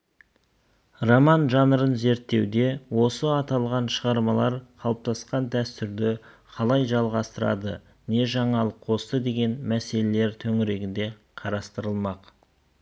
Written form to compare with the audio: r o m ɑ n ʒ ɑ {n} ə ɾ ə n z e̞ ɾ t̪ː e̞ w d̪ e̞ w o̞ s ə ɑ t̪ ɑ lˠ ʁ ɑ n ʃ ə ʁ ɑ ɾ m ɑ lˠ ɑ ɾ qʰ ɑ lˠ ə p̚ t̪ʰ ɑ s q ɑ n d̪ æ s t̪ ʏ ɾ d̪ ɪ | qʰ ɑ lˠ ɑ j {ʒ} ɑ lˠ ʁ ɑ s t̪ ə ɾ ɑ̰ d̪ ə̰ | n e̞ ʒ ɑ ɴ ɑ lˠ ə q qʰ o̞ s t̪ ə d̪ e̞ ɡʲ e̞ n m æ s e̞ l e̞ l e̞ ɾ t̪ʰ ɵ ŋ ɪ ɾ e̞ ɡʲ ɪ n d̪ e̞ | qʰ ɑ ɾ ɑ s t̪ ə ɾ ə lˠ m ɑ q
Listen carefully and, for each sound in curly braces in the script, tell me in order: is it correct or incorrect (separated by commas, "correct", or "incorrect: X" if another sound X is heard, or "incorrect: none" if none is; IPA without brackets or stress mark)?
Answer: correct, correct